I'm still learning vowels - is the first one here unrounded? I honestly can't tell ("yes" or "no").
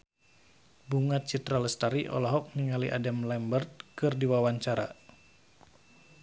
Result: no